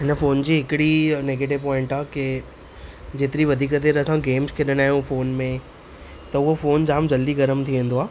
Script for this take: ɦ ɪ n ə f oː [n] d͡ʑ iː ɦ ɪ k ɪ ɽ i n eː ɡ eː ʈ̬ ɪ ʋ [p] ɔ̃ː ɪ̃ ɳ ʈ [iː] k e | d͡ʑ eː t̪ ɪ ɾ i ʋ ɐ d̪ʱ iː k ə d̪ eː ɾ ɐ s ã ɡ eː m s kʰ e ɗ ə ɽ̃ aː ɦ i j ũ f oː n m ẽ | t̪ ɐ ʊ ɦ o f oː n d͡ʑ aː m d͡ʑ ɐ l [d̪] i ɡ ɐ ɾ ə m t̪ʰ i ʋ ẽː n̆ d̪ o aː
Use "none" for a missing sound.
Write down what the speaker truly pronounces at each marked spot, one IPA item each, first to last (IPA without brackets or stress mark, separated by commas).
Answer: n, p, aː, d̪